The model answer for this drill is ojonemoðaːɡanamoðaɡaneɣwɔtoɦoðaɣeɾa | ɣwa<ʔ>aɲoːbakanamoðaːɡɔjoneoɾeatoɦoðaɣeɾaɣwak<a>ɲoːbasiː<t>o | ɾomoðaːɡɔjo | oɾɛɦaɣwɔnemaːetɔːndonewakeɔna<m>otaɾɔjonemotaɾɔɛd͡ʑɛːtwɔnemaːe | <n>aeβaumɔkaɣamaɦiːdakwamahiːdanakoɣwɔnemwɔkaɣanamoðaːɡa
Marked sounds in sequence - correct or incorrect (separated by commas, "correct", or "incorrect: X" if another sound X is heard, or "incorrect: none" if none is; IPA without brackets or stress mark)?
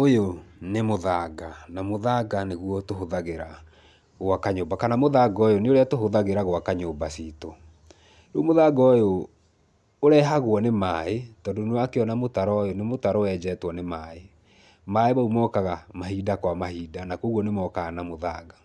incorrect: k, correct, correct, correct, incorrect: m